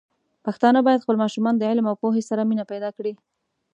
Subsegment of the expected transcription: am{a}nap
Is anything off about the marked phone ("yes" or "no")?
yes